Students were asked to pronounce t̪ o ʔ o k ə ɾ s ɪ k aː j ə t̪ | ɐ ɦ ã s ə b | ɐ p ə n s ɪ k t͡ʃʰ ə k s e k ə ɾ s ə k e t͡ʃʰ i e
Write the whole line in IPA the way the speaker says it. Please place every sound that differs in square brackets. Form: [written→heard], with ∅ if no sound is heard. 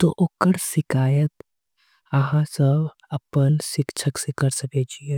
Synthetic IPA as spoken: t̪ o ʔ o k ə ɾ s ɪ k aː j ə t̪ | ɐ ɦ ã s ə b | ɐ p ə n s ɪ k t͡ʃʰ ə k s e k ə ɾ s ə k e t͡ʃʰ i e